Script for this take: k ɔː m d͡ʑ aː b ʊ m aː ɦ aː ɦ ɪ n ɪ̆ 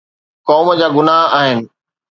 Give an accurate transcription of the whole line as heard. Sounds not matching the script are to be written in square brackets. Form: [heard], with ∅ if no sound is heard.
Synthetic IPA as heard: k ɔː m d͡ʑ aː [ɡ] ʊ [n] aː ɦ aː ɦ ɪ n ɪ̆